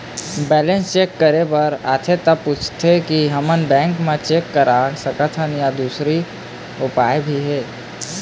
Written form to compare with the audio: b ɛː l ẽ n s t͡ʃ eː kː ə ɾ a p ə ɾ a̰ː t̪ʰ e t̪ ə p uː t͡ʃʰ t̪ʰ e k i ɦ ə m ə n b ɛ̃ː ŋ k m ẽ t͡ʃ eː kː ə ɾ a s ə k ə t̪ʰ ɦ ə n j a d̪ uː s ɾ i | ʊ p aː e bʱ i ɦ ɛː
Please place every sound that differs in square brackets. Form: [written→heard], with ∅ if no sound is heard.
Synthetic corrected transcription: b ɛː l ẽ n s t͡ʃ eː kː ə ɾ [a→e] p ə ɾ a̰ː t̪ʰ e t̪ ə p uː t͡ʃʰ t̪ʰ e k i ɦ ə m ə n b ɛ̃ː ŋ k m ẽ t͡ʃ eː kː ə ɾ a s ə k ə t̪ʰ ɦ ə n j a d̪ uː s ɾ i | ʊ p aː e bʱ i ɦ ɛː